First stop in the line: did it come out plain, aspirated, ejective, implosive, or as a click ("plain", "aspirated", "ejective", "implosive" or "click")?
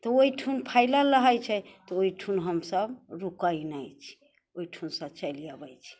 plain